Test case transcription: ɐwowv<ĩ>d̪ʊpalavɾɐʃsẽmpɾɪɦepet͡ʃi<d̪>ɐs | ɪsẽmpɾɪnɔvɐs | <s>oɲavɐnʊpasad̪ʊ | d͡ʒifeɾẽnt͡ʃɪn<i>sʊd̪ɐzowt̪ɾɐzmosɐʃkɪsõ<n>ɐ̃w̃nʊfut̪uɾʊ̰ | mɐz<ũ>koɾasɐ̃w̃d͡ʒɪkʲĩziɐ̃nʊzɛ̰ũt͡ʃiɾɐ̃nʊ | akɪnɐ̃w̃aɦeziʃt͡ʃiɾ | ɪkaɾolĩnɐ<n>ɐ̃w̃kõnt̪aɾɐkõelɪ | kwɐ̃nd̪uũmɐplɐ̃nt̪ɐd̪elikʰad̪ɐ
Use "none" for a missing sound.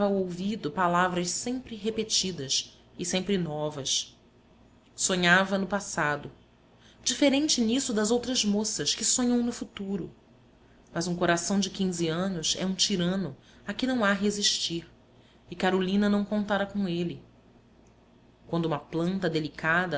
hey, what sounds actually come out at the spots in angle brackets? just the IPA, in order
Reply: i, d̪, s, i, ɲ, ũ, n

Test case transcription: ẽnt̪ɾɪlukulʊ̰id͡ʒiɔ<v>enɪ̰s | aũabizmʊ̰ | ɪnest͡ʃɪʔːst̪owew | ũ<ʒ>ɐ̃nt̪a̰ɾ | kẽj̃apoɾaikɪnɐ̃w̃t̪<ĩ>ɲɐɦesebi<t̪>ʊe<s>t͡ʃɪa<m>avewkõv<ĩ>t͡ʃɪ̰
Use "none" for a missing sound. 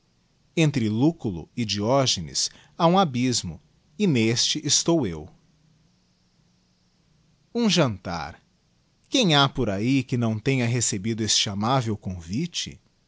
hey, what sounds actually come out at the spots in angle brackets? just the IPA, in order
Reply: ʒ, ʒ, ẽ, d̪, s, m, i

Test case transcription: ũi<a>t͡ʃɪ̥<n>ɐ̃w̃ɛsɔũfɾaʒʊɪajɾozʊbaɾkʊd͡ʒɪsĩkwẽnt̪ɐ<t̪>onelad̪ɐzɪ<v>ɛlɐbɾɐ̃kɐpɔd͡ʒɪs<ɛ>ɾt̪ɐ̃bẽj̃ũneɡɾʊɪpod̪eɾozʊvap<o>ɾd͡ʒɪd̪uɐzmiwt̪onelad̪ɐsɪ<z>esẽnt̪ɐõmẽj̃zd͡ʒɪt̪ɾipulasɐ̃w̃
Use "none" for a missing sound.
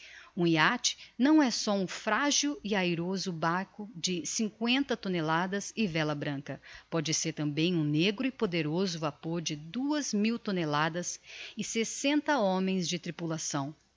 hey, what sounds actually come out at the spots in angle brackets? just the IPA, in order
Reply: a, n, t̪, v, e, o, s

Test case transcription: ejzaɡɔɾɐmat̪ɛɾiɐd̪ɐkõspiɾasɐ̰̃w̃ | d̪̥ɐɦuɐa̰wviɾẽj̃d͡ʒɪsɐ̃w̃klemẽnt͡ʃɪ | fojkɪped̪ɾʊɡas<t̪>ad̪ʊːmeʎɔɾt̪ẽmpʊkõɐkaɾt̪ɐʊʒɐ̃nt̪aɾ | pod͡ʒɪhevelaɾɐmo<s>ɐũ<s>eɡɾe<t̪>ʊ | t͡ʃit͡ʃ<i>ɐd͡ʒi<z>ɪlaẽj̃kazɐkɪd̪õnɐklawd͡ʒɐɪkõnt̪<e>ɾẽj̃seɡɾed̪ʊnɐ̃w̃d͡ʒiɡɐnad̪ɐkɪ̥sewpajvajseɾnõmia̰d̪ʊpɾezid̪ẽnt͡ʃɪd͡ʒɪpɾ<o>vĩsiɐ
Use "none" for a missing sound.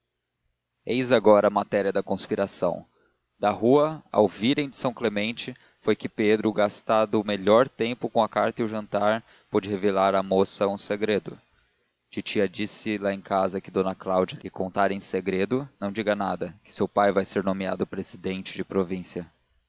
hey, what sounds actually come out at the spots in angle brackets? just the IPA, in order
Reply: t̪, s, s, d̪, i, s, a, o

